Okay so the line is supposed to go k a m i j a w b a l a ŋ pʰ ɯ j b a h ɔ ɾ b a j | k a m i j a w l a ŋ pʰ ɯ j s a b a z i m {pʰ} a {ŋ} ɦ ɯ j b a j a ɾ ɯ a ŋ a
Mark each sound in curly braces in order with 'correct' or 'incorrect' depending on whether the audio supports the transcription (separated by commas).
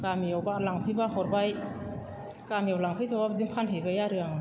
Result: correct, incorrect